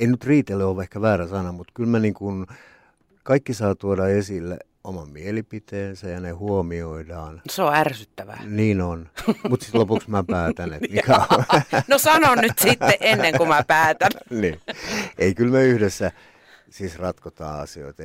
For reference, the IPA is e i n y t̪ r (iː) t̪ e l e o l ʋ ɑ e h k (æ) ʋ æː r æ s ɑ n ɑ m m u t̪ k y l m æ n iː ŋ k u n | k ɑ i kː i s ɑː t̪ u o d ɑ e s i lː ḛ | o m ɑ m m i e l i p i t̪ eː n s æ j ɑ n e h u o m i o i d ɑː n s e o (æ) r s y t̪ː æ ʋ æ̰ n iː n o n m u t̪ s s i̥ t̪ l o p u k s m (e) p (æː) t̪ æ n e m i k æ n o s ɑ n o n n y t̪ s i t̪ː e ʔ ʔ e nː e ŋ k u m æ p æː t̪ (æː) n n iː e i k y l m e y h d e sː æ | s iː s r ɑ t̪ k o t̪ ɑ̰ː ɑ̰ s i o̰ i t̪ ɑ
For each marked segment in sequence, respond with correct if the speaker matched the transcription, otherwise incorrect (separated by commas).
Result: correct, correct, correct, incorrect, correct, incorrect